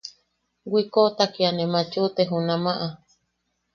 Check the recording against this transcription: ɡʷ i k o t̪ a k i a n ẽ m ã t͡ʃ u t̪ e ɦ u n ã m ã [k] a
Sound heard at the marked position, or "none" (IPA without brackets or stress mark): ʔ